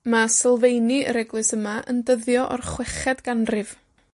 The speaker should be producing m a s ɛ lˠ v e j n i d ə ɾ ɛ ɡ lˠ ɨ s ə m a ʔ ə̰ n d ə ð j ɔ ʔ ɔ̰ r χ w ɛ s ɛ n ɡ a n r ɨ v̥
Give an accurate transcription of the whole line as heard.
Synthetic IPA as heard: m a s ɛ lˠ v e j n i ə ɾ ɛ ɡ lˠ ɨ s ə m a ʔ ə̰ n d ə ð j ɔ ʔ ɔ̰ r χ w ɛ χ ɛ d ɡ a n r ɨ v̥